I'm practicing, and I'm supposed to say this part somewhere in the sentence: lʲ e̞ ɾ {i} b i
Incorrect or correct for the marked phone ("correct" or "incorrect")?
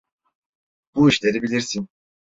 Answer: correct